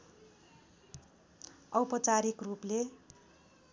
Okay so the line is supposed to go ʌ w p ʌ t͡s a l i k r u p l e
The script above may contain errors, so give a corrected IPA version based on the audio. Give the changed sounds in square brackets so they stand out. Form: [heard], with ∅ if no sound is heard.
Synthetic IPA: ʌ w p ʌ t͡s a [ɾ] i k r u p l e